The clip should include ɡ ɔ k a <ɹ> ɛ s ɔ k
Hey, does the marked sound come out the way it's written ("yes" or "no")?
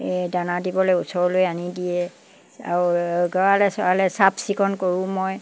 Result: no